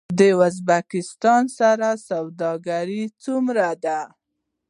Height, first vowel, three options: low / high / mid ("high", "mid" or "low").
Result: mid